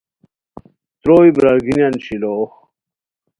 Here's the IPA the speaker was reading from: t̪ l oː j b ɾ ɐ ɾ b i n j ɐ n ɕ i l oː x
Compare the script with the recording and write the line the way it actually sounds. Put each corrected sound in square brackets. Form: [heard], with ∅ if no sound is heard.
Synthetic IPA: t̪ [ɾ] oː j b ɾ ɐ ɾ [ɡ] i n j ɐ n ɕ i l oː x